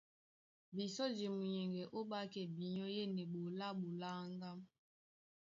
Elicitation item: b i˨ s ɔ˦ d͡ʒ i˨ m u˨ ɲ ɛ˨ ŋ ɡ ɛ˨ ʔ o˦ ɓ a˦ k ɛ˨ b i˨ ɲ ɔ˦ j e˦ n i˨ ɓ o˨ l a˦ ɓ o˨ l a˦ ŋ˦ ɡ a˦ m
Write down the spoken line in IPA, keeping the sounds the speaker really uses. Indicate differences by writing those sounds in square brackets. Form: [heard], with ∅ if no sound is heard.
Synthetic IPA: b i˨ s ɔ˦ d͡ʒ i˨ m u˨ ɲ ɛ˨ ŋ ɡ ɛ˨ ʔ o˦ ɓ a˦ k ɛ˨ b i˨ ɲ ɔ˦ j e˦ n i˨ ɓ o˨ l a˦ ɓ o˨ l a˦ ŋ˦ ɡ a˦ m